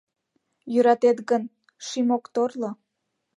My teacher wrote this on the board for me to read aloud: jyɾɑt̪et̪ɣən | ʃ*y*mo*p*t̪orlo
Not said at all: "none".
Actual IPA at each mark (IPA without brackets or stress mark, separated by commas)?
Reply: i, k